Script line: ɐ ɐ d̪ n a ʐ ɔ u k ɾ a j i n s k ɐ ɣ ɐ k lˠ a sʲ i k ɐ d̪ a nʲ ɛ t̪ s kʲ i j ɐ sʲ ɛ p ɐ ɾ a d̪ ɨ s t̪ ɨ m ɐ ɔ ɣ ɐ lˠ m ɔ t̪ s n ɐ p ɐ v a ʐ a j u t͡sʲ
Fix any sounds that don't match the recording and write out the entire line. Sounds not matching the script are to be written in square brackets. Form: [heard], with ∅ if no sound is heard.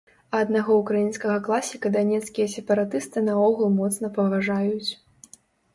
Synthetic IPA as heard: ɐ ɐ d̪ n a [ɣ] ɔ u k ɾ a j i n s k ɐ ɣ ɐ k lˠ a sʲ i k ɐ d̪ a nʲ ɛ t̪ s kʲ i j ɐ sʲ ɛ p ɐ ɾ a [t̪] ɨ s t̪ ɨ [n] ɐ ɔ ɣ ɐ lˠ m ɔ t̪ s n ɐ p ɐ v a ʐ a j u t͡sʲ